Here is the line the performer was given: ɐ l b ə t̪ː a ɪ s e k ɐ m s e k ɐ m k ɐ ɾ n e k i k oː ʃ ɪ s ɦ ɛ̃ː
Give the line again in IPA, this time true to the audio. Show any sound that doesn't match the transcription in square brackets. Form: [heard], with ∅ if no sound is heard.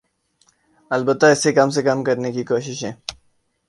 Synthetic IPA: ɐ l b ə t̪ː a ɪ s e k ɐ m s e k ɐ m k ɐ ɾ n e k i k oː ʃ ɪ [ʃ] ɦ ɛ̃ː

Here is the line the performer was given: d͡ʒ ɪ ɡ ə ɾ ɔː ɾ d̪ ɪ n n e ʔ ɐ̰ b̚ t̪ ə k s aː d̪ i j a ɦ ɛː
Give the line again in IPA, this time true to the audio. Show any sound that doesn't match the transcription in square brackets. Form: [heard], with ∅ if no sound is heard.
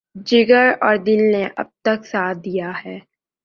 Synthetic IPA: d͡ʒ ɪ ɡ ə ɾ ɔː ɾ d̪ ɪ n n e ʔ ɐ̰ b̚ t̪ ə k s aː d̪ i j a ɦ ɛː

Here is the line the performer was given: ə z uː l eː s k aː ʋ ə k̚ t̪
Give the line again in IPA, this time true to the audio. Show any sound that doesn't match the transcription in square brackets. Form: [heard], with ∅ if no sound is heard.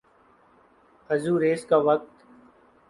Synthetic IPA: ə z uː [ɾ] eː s k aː ʋ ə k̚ t̪

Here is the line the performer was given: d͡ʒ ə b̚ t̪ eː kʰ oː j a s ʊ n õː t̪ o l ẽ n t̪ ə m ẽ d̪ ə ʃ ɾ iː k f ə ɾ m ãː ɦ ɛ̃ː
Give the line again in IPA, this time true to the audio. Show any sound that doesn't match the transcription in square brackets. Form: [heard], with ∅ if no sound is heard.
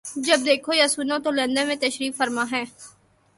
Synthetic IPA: d͡ʒ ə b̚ [d̪] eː kʰ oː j a s ʊ n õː t̪ o l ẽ n [d̪] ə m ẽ [t̪] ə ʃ ɾ iː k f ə ɾ m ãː ɦ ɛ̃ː

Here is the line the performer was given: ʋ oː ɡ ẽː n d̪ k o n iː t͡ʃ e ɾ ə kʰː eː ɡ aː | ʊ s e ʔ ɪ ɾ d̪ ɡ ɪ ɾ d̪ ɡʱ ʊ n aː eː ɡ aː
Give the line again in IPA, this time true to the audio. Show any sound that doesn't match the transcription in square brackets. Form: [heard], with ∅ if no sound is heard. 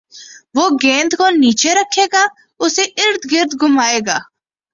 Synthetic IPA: ʋ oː ɡ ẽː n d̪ k o n iː t͡ʃ e ɾ ə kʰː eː ɡ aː | ʊ s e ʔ ɪ ɾ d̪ ɡ ɪ ɾ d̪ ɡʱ ʊ [m] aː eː ɡ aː

